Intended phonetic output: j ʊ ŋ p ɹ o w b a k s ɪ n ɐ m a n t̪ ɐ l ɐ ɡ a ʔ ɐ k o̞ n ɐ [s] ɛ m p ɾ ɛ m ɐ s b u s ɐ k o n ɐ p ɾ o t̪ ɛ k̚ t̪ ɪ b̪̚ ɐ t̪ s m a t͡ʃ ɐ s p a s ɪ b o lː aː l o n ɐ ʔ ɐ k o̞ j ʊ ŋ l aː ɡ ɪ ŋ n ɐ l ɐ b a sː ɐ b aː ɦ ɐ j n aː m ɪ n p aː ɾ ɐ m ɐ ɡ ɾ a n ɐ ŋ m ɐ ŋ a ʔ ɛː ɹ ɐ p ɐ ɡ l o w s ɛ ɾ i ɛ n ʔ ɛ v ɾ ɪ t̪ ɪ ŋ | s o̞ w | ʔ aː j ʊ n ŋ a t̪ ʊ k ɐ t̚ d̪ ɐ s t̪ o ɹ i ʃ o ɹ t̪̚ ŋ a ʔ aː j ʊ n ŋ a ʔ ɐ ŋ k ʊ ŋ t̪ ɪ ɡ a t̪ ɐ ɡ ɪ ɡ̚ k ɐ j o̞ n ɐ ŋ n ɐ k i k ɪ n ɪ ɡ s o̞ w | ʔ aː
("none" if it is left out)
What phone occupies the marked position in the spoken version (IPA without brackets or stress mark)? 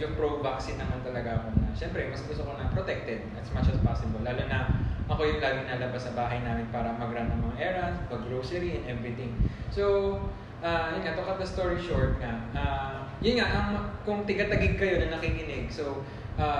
ʃ